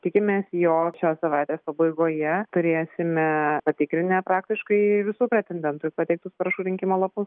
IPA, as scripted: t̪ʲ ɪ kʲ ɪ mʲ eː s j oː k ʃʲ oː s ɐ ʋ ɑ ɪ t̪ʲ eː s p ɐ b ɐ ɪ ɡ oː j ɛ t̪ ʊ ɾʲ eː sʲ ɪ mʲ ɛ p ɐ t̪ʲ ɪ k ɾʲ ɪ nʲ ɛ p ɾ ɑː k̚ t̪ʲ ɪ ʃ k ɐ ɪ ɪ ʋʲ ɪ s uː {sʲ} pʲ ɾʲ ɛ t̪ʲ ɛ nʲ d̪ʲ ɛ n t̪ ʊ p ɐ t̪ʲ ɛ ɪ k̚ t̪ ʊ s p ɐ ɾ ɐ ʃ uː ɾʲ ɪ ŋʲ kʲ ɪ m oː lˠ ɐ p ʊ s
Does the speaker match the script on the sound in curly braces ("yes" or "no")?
no